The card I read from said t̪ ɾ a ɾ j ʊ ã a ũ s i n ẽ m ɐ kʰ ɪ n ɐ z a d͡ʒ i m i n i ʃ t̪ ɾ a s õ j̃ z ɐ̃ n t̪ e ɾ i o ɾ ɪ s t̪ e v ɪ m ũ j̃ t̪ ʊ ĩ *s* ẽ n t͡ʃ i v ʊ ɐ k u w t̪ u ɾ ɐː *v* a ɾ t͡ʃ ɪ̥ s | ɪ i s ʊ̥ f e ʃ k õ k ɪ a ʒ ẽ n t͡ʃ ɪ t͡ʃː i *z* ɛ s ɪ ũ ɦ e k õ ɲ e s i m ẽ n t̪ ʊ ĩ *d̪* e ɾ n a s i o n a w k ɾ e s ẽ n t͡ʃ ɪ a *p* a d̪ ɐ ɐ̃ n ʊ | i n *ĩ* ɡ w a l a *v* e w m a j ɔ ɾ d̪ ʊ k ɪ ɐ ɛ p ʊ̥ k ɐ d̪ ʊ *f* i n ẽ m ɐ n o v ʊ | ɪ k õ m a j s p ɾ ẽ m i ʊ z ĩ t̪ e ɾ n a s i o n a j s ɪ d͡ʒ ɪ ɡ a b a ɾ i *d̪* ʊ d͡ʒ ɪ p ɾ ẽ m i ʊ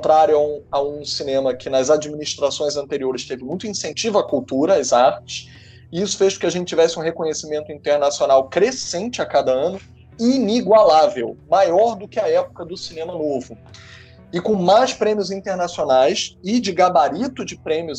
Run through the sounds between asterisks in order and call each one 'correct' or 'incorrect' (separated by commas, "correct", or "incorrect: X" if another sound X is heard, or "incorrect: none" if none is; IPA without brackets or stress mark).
correct, incorrect: z, incorrect: v, incorrect: t̪, incorrect: k, incorrect: i, correct, incorrect: s, incorrect: t̪